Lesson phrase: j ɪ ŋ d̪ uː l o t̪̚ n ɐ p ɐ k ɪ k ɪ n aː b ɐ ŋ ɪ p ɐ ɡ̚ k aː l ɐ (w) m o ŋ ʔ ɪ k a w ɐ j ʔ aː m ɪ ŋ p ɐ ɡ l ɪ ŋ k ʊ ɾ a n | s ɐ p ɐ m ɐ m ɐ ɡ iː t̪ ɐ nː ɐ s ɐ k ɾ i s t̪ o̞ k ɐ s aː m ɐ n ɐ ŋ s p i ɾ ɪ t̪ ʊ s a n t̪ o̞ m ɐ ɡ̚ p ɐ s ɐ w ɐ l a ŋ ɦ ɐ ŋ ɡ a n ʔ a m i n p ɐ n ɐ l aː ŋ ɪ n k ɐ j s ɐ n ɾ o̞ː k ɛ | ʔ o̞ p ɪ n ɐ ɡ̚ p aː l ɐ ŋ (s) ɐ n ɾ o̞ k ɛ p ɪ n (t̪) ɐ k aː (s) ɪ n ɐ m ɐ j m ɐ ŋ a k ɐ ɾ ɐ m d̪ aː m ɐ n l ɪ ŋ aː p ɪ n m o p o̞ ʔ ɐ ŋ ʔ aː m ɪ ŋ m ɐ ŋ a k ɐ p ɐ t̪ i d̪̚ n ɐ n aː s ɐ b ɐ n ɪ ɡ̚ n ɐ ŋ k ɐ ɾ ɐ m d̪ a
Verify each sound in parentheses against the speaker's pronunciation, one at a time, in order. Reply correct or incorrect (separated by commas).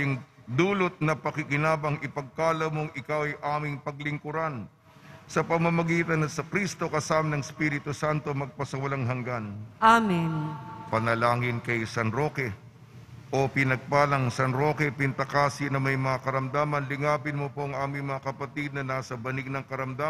correct, correct, correct, correct